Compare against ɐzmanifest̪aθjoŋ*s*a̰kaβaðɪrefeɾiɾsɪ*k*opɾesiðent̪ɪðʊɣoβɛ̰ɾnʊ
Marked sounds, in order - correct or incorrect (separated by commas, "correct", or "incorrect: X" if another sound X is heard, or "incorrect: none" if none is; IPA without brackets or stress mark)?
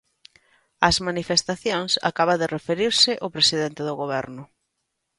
correct, incorrect: ʔ